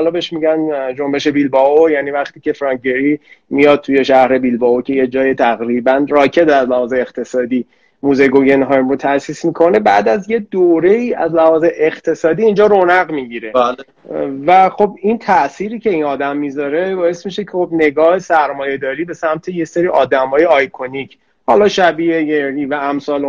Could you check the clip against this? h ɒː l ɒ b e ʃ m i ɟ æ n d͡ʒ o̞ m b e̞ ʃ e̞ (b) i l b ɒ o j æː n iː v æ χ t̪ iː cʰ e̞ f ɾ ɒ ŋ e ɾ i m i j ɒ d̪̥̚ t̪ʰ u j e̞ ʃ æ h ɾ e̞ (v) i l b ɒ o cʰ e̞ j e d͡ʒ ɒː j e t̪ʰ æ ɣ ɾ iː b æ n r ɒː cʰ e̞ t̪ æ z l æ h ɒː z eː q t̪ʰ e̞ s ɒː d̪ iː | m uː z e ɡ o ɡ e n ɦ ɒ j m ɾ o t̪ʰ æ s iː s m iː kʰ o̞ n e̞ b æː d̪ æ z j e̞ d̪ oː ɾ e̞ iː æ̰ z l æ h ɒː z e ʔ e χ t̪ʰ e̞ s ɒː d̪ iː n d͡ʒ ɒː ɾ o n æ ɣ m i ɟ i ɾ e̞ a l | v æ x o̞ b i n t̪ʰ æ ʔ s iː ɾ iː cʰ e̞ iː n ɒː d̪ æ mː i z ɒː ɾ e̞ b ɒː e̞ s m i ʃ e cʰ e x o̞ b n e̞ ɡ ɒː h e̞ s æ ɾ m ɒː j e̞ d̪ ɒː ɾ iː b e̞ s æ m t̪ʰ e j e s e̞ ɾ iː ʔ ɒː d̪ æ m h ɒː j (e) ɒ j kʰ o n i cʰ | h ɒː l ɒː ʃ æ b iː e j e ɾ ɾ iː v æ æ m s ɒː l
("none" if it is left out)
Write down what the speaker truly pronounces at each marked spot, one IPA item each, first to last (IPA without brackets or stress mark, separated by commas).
b, b, e